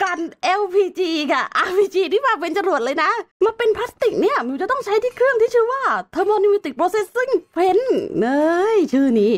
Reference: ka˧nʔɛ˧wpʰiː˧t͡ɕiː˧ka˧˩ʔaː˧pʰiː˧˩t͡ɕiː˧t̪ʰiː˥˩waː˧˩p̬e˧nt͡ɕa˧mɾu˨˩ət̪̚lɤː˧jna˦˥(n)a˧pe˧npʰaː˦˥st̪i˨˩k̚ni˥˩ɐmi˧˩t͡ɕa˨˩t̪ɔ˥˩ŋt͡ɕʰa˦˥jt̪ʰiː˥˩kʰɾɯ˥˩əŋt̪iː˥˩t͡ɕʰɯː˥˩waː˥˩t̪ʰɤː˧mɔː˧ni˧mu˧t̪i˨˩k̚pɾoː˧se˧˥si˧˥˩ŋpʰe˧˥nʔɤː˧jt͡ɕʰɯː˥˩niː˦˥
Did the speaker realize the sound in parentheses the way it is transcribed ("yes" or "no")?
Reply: no